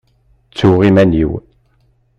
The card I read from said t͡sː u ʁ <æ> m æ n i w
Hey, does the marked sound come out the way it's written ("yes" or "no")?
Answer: no